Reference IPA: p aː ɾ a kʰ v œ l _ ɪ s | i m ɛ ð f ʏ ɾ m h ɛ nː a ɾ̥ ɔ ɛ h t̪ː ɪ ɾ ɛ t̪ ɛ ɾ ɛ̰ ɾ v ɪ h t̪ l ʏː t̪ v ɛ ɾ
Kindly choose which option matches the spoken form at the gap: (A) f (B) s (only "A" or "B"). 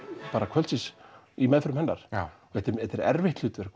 B